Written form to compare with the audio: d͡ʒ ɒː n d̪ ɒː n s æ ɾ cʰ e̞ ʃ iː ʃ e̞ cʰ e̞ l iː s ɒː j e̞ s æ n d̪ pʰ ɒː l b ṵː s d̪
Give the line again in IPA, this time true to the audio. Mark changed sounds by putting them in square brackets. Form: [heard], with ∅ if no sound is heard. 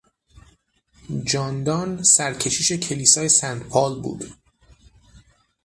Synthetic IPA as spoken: d͡ʒ ɒː n d̪ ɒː n s æ ɾ cʰ e̞ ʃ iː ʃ e̞ cʰ e̞ l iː s ɒː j e̞ s æ n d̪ pʰ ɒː l b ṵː [∅] d̪